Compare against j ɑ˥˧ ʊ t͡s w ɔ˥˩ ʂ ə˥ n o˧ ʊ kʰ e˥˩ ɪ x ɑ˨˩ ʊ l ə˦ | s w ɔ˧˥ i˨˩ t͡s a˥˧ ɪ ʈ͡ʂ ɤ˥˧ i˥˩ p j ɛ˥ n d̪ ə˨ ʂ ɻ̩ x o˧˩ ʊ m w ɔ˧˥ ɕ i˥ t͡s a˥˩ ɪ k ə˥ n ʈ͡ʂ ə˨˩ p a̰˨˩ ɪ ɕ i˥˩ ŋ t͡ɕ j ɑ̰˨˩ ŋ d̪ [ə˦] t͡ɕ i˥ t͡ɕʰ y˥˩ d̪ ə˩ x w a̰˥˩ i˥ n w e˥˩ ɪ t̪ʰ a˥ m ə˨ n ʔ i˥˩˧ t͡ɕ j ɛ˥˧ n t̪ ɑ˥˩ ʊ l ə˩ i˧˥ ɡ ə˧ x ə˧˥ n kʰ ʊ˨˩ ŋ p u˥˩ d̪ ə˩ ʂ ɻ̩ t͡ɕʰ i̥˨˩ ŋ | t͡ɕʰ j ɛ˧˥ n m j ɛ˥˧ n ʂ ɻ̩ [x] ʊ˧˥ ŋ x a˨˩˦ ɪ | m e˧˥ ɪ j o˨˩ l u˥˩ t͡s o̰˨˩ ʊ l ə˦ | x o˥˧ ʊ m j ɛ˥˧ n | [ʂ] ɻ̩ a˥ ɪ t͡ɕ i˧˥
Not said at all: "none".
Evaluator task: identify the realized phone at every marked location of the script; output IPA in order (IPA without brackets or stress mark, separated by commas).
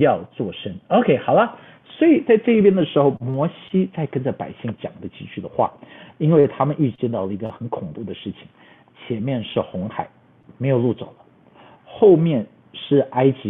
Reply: ə˦, x, ʂ